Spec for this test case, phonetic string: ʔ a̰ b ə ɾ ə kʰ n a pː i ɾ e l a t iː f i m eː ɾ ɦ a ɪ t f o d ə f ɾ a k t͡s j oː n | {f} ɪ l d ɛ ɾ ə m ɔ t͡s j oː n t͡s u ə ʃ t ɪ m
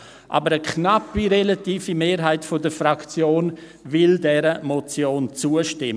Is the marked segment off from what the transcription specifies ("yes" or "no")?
yes